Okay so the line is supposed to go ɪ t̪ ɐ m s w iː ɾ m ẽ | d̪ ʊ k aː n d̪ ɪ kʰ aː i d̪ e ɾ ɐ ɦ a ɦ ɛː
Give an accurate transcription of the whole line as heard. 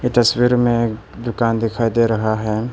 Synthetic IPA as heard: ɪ t̪ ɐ s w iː ɾ m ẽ | d̪ ʊ k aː n d̪ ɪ kʰ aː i d̪ e ɾ ɐ ɦ a ɦ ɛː